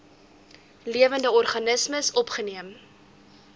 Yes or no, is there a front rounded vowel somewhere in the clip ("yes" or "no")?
no